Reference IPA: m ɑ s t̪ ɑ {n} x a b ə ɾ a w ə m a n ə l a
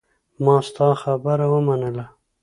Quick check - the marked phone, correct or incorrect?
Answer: incorrect